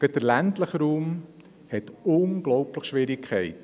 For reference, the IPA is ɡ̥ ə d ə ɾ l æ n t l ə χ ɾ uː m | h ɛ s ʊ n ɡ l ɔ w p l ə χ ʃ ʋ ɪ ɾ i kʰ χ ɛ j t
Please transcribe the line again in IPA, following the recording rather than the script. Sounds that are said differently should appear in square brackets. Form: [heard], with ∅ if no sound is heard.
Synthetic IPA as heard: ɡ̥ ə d ə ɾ l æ n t l ə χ ɾ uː m | h ɛ [t] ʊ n ɡ l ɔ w p l ə χ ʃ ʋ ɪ ɾ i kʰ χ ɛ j t